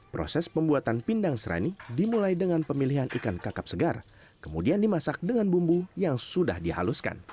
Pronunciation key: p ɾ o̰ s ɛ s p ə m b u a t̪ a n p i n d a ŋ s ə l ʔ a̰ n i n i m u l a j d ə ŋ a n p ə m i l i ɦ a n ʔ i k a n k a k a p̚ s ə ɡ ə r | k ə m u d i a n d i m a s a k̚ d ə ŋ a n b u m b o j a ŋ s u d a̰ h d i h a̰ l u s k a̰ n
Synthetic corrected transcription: p ɾ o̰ s ɛ s p ə m b u a t̪ a n p i n d a ŋ s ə ɾ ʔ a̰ n i d i m u l a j d ə ŋ a n p ə m i l i ɦ a n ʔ i k a n k a k a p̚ s ə ɡ a r | k ə m u d i a n d i m a s a k̚ d ə ŋ a n b u m b u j a ŋ s u d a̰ h d i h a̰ l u s k a̰ n